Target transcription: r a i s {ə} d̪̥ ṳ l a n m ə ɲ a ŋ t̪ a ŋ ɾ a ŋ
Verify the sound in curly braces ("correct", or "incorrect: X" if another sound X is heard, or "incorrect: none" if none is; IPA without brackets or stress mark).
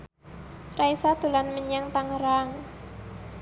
incorrect: a